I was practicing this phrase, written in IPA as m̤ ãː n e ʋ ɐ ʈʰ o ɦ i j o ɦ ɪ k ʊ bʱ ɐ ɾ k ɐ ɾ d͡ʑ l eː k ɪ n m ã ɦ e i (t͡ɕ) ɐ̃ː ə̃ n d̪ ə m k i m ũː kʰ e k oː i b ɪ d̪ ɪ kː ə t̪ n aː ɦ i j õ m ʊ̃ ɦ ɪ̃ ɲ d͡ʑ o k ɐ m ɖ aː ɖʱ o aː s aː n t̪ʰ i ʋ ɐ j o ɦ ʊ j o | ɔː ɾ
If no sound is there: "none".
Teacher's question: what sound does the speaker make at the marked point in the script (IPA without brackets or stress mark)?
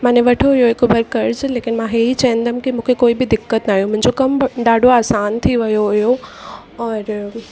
t͡ɕ